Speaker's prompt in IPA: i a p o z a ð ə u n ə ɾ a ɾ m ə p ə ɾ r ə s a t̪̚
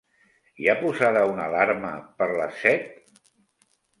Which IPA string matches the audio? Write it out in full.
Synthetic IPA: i a p u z a ð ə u n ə l a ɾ m ə p ə ɾ l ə s ɛ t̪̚